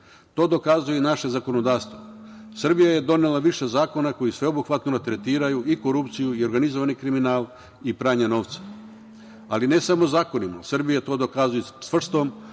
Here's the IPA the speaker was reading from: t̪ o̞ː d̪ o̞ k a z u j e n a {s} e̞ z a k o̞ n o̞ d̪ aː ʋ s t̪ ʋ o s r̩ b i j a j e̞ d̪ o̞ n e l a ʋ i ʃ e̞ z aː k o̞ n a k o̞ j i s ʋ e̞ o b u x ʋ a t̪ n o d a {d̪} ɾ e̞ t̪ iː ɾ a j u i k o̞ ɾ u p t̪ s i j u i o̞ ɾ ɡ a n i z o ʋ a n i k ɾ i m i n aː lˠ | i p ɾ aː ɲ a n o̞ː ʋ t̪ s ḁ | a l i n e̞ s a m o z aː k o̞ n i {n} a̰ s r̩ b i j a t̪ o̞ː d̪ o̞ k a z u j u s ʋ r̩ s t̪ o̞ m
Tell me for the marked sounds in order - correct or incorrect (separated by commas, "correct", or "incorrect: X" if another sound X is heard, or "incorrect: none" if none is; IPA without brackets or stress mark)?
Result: incorrect: ʃ, incorrect: t̪, incorrect: m